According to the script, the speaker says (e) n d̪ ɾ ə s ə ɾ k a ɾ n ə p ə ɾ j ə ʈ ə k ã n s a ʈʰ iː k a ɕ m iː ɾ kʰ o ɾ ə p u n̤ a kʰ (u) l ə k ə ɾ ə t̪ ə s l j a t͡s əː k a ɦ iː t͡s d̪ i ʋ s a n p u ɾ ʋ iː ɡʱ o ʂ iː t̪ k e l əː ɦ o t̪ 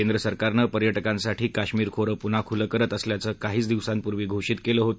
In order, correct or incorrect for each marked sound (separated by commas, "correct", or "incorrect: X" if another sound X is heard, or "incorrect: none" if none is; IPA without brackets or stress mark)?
correct, correct